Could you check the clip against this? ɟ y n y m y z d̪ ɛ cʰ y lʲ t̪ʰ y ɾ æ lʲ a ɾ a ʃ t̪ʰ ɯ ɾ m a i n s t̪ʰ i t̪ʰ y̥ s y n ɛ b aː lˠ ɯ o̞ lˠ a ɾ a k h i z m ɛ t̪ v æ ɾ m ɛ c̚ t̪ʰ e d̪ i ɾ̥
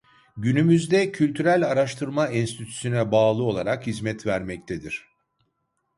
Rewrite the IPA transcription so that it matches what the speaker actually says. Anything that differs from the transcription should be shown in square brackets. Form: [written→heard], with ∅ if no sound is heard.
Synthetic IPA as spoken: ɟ y n y m y z d̪ ɛ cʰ y lʲ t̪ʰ y ɾ æ lʲ a ɾ a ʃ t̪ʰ ɯ ɾ m a i n s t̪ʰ i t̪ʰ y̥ s y n ɛ b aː lˠ ɯ o̞ lˠ a ɾ a k h i z m ɛ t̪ v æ ɾ m ɛ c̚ t̪ʰ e d̪ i ɾ̥